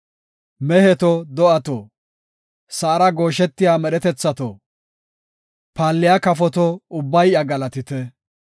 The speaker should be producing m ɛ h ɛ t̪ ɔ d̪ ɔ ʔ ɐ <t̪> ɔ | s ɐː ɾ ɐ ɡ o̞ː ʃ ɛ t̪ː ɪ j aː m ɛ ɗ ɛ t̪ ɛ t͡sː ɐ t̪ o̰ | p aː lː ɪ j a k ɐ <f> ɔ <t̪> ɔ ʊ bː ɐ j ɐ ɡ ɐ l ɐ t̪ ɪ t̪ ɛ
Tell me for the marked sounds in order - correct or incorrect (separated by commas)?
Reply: correct, correct, correct